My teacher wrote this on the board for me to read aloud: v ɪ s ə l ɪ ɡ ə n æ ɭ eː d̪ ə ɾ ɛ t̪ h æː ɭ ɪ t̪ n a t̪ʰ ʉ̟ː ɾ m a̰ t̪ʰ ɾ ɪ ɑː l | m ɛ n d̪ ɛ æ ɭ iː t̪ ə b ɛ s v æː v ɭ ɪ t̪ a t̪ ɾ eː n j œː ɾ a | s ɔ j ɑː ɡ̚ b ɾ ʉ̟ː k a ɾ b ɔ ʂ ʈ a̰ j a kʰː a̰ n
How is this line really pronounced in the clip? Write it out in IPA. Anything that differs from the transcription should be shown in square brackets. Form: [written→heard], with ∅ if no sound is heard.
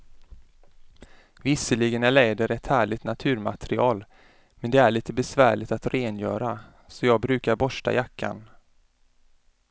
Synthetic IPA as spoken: v ɪ s ə l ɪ ɡ ə n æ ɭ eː d̪ ə ɾ ɛ t̪ h æː ɭ ɪ t̪ n a t̪ʰ ʉ̟ː ɾ m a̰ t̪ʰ ɾ ɪ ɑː l | m ɛ n d̪ ɛ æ ɭ iː t̪ ə b ɛ s v æː [v→∅] ɭ ɪ t̪ a t̪ ɾ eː n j œː ɾ a | s ɔ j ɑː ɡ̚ b ɾ ʉ̟ː k a ɾ b ɔ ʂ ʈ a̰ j a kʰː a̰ n

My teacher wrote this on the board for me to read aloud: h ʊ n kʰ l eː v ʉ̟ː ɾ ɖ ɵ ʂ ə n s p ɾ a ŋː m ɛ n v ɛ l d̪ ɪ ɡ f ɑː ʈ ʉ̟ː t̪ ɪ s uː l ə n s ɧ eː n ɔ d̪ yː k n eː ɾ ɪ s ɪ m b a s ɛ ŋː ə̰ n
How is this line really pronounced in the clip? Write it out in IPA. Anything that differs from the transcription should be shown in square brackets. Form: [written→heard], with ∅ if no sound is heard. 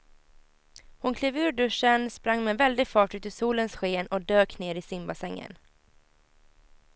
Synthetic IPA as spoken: h ʊ n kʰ l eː v ʉ̟ː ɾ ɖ ɵ ʂ ə n s p ɾ a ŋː m ɛ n v ɛ l d̪ ɪ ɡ f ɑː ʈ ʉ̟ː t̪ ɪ s uː l ə n s ɧ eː n ɔ d̪ [yː→øː] k n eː ɾ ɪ s ɪ m b a s ɛ ŋː ə̰ n

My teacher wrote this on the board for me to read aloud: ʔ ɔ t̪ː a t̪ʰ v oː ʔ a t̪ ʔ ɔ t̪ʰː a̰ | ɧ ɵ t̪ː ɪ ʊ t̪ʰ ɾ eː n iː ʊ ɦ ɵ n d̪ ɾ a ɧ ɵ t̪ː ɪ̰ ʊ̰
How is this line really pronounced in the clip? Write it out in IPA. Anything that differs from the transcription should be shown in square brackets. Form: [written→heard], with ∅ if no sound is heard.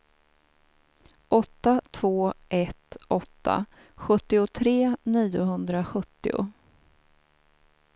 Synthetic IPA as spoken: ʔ ɔ t̪ː a t̪ʰ v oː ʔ [a→ɛ] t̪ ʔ ɔ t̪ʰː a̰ | ɧ ɵ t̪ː ɪ ʊ t̪ʰ ɾ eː n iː ʊ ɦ ɵ n d̪ ɾ a ɧ ɵ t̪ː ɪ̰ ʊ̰

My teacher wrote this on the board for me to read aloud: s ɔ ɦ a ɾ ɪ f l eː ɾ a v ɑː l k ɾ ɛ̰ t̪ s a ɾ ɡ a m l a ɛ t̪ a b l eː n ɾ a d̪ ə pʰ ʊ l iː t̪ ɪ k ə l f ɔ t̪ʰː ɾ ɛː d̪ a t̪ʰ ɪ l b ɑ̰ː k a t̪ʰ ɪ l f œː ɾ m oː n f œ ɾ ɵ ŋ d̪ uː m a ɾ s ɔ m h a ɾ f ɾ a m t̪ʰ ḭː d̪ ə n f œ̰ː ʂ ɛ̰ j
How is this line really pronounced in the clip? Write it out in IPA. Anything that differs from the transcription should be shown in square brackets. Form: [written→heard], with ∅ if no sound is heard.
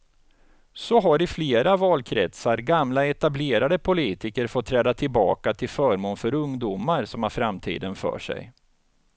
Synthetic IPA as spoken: s ɔ ɦ a ɾ ɪ f l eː ɾ a v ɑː l [k→kʰ] ɾ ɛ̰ t̪ s a ɾ ɡ a m l a ɛ t̪ a b l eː [n→∅] ɾ a d̪ ə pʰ ʊ l iː t̪ ɪ k ə [l→ɾ] f ɔ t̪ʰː ɾ ɛː d̪ a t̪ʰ ɪ l b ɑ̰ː k a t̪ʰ ɪ l f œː ɾ m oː n f œ ɾ ɵ ŋ d̪ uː m a ɾ s ɔ m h a ɾ f ɾ a m t̪ʰ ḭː d̪ ə n f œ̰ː ʂ ɛ̰ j

